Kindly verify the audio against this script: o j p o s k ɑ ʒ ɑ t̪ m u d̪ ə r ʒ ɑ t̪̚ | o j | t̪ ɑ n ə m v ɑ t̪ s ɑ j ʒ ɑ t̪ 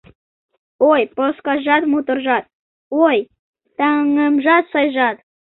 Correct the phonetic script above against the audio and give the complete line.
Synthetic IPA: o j p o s k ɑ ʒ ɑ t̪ m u t̪ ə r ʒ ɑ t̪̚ | o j | t̪ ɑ ŋ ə m ʒ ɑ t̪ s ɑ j ʒ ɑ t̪